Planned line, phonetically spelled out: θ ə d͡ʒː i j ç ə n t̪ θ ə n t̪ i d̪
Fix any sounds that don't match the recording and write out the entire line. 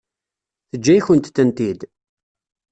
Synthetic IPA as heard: θ ə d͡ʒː æ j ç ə n t̪ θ ə n t̪ i d̪